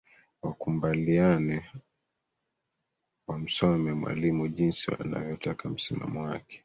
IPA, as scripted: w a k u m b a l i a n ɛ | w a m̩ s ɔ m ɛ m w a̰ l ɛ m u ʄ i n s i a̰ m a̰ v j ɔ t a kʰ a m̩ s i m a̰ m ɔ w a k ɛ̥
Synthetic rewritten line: w a k u m b a l i a n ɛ | w a m̩ s ɔ m ɛ m w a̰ l i m u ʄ i n s i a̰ n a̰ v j ɔ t a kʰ a m̩ s i m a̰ m ɔ w a k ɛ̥